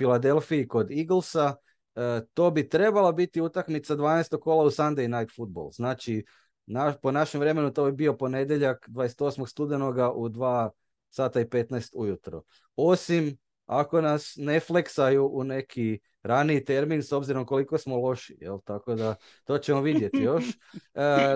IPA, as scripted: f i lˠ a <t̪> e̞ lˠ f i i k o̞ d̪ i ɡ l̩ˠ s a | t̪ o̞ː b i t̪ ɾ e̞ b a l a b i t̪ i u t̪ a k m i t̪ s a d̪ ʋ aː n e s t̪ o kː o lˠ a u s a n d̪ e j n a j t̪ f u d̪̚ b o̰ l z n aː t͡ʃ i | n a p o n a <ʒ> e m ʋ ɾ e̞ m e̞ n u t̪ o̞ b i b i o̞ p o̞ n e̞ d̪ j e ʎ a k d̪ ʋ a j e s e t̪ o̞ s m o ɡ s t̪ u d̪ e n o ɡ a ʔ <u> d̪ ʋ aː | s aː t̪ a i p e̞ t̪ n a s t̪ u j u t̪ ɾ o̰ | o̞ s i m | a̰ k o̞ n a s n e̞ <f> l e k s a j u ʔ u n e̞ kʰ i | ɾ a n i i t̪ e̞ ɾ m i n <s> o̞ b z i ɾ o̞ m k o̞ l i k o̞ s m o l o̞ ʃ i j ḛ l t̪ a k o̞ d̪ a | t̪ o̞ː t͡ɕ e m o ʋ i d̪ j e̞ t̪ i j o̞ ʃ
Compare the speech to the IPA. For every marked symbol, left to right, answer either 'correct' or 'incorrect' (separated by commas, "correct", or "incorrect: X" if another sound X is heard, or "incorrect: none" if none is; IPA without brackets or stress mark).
incorrect: d̪, incorrect: ʃ, correct, correct, correct